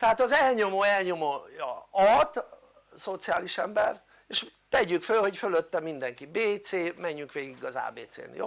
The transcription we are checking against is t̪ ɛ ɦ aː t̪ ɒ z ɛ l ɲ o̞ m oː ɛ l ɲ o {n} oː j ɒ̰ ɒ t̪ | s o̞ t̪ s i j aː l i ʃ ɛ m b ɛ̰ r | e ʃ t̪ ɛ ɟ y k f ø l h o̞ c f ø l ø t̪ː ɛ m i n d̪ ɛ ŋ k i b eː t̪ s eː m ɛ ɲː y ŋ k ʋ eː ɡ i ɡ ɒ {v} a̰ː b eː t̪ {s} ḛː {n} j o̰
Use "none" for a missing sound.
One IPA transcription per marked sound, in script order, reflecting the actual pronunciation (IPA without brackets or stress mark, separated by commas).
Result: m, z, s, n